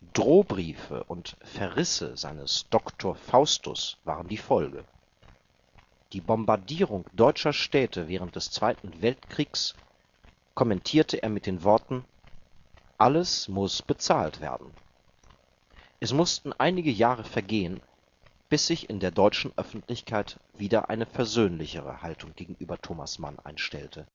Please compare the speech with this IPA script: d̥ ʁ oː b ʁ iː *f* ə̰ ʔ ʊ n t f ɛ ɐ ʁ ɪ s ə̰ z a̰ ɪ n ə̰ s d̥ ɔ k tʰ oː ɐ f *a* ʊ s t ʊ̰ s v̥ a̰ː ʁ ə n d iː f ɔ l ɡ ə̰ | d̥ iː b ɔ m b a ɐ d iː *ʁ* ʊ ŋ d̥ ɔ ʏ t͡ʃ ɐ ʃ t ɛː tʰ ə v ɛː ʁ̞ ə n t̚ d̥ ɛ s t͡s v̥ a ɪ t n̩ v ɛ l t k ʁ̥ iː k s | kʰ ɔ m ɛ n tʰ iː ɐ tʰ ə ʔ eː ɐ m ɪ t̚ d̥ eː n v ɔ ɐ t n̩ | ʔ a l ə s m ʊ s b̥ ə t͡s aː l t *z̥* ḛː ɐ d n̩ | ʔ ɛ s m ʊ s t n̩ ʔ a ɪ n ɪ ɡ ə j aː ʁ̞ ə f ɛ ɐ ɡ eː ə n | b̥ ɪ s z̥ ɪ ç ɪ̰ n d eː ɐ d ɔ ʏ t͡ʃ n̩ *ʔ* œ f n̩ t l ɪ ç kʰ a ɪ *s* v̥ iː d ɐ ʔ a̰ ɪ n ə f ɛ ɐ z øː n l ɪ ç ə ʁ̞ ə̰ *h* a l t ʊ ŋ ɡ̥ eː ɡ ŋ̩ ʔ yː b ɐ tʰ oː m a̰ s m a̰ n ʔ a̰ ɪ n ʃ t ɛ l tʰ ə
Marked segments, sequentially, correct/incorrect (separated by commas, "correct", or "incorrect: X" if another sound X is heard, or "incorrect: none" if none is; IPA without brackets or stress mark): correct, correct, correct, incorrect: v̥, correct, incorrect: t, correct